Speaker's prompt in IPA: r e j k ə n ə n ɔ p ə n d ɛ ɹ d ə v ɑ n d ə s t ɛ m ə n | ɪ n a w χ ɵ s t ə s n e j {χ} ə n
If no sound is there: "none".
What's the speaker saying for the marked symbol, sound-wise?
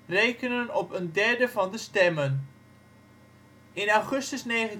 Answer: χ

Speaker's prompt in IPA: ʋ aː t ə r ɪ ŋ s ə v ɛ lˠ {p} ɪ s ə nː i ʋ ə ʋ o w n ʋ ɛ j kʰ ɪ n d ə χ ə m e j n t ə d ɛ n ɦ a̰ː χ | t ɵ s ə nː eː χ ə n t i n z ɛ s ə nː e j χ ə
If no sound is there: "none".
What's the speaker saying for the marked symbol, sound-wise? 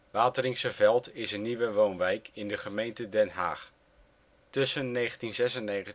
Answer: t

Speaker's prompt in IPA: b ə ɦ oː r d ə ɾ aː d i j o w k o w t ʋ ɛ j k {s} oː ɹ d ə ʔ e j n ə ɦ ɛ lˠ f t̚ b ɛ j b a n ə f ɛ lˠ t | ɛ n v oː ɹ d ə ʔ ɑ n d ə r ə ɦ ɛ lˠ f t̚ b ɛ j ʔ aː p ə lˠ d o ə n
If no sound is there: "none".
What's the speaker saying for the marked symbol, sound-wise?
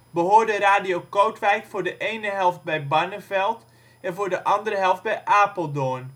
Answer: f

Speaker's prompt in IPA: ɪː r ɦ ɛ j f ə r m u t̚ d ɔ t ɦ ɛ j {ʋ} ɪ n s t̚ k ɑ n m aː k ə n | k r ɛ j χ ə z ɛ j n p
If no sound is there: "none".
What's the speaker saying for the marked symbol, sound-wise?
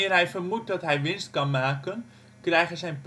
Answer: ʋ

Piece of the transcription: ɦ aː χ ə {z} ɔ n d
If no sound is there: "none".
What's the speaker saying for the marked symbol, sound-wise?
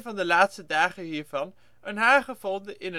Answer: v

